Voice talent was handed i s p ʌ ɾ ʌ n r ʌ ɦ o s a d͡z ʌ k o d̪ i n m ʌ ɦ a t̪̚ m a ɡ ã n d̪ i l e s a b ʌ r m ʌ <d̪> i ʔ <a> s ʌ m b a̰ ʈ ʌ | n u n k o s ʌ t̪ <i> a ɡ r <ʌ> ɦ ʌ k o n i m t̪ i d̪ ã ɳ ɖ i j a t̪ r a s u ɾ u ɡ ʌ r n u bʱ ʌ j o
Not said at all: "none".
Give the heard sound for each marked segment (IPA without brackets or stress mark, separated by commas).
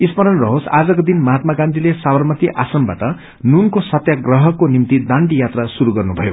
t̪, a, j, ʌ